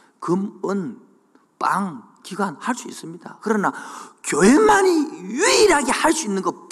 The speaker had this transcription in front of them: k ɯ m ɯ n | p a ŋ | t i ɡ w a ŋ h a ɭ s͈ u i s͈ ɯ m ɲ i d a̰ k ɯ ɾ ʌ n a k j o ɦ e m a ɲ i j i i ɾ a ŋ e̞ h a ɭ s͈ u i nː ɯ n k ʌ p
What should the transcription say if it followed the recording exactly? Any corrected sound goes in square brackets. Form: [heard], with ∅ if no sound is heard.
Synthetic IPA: k ɯ m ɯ n | p a ŋ | [k] i ɡ w a [n] h a ɭ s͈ u i s͈ ɯ m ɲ i d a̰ k ɯ ɾ ʌ n a k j o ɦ e m a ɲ i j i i ɾ a [ɡ] e̞ h a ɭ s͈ u i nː ɯ n [ɡ] ʌ p